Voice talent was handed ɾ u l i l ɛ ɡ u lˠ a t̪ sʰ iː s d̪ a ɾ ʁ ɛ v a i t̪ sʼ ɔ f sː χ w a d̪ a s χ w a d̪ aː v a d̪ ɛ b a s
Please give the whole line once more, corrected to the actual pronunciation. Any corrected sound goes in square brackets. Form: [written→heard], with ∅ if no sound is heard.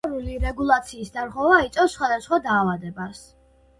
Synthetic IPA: ɾ u l i [l→ɾ] ɛ ɡ u lˠ a t̪ sʰ iː s d̪ a ɾ ʁ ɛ v a i t̪ sʼ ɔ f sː χ w a d̪ a s χ w a d̪ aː v a d̪ ɛ b a s